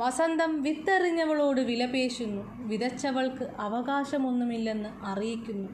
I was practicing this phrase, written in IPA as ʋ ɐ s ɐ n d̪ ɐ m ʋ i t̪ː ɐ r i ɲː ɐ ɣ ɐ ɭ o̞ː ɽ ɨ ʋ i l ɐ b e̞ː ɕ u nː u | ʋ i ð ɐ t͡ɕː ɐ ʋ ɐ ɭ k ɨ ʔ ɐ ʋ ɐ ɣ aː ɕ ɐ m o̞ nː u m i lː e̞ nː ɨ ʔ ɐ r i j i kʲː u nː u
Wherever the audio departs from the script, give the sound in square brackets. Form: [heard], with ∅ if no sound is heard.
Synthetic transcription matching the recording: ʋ ɐ s ɐ n d̪ ɐ m ʋ i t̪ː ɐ r i ɲː ɐ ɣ ɐ ɭ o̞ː ɽ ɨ ʋ i l ɐ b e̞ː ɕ u nː u | ʋ i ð ɐ t͡ɕː ɐ ʋ ɐ ɭ k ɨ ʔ ɐ ʋ ɐ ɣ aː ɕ ɐ m o̞ nː u m i lː e̞ nː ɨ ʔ ɐ r i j i kʲː u nː u